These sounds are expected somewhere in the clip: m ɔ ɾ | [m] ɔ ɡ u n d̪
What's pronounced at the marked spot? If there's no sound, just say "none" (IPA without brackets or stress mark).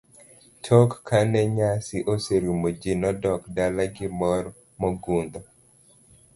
m